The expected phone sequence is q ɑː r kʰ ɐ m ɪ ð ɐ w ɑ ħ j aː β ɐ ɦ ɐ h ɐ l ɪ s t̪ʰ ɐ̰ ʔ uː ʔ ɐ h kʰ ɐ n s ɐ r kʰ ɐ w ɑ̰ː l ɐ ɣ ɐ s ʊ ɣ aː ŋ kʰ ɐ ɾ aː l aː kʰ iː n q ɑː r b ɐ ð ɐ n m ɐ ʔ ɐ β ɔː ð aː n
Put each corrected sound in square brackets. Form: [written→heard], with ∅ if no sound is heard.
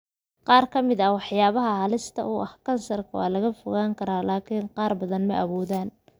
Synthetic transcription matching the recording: q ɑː r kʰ ɐ m ɪ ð ɐ w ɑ ħ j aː β ɐ ɦ ɐ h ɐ l ɪ s t̪ʰ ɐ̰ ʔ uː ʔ ɐ h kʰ ɐ n s ɐ r kʰ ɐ w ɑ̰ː l ɐ ɣ ɐ [s→f] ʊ ɣ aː ŋ kʰ ɐ ɾ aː l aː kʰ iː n q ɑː r b ɐ ð ɐ n m ɐ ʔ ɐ β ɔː ð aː n